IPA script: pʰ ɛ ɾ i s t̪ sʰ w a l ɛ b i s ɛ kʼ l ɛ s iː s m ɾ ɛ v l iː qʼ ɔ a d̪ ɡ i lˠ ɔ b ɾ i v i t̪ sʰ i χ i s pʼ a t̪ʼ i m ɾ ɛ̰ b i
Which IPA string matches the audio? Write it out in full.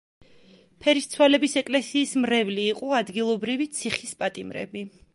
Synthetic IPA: pʰ ɛ ɾ i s t̪ sʰ w a l ɛ b i s ɛ kʼ l ɛ s iː s m ɾ ɛ v l iː qʼ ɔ a d̪ ɡ i lˠ ɔ b ɾ i v i t̪ sʰ i χ i s pʼ a t̪ʼ i m ɾ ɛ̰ b i